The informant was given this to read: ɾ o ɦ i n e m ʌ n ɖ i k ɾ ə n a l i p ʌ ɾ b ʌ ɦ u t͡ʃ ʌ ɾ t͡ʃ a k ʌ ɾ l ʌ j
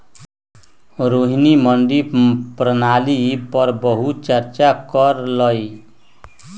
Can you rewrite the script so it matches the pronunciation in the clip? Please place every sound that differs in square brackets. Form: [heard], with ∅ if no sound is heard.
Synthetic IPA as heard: ɾ o ɦ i n [i] m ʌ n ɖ i [p] ɾ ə n a l i p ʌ ɾ b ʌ ɦ u t͡ʃ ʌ ɾ t͡ʃ a k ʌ ɾ l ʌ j